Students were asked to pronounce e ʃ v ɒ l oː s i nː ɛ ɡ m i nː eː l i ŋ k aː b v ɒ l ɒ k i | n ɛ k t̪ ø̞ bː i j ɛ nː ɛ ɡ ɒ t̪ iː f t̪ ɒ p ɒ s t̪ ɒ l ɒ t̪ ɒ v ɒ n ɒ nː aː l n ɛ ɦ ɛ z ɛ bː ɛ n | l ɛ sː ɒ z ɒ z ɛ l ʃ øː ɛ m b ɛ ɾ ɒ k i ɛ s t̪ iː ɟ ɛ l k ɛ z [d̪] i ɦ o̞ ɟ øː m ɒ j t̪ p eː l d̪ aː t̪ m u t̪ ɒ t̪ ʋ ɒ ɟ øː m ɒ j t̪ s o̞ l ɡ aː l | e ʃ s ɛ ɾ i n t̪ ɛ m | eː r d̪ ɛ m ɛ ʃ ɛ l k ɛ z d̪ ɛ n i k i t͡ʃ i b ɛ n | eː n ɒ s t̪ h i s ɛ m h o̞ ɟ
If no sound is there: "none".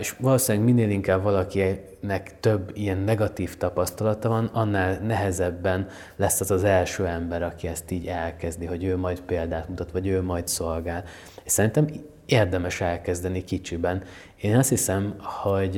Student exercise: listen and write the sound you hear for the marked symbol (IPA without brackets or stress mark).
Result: d̪